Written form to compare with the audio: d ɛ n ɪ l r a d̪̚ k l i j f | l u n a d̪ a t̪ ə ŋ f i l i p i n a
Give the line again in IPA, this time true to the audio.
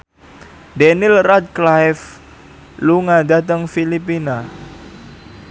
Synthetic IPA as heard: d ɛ n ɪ l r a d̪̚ k l a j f | l u ŋ a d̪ a t̪ ə ŋ f i l i p i n a

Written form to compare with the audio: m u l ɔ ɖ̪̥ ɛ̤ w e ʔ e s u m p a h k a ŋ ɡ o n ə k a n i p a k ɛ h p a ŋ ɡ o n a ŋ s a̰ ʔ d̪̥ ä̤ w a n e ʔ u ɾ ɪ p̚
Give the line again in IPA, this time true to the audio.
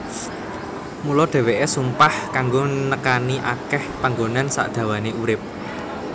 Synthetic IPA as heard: m u l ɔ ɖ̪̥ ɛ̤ w e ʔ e s u m p a h k a ŋ ɡ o n ə k a n i ʔ a k ɛ h p a ŋ ɡ o n a n s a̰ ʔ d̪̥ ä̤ w a n e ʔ u ɾ ɪ p̚

